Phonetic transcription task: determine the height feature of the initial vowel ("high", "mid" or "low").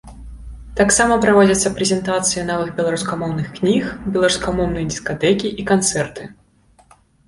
low